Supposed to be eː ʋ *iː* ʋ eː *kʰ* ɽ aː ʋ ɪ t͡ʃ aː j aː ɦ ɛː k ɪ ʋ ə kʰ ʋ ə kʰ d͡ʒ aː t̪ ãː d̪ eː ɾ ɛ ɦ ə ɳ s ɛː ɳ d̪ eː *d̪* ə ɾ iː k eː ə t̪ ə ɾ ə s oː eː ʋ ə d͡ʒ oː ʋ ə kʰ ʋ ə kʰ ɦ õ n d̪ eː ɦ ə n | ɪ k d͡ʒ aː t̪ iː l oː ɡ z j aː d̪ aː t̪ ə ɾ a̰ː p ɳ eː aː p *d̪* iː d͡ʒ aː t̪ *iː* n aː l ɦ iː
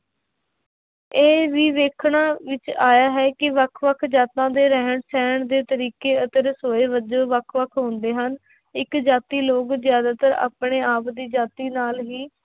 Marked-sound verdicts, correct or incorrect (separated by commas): correct, correct, incorrect, correct, correct